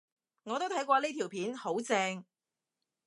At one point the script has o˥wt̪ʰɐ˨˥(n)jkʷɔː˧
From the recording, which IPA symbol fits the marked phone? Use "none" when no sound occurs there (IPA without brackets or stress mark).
none